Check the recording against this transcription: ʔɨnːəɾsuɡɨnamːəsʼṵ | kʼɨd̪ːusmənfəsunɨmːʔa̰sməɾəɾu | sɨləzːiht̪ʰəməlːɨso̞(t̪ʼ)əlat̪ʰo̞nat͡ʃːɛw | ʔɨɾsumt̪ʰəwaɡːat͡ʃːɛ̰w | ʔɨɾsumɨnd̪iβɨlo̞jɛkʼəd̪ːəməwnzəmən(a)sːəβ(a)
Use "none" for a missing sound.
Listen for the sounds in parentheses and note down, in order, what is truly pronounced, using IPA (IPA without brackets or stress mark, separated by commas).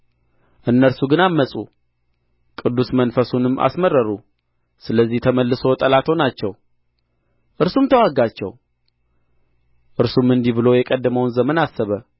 t̪ʼ, a, ə